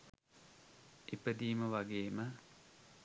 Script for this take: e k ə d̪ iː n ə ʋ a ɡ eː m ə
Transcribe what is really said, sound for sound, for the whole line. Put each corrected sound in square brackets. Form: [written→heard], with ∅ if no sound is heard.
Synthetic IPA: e [k→p] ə d̪ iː [n→m] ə ʋ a ɡ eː m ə